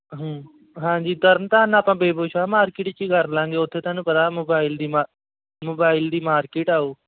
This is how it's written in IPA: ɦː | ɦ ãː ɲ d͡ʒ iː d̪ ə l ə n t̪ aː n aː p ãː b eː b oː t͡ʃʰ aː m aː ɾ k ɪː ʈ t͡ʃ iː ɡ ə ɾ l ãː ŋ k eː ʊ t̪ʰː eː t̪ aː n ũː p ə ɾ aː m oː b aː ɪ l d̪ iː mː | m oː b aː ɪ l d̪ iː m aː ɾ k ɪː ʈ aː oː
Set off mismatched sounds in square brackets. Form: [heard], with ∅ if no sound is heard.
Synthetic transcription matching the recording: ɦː | ɦ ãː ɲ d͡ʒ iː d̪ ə [ɾ] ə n t̪ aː n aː p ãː b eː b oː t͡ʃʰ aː m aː ɾ k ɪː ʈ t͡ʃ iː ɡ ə ɾ l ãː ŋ [ɡ] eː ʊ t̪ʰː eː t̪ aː n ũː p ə ɾ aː m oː b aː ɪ l d̪ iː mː | m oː b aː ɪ l d̪ iː m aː ɾ k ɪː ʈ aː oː